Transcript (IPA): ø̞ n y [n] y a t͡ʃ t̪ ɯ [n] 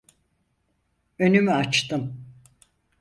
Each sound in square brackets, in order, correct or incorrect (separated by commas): incorrect, incorrect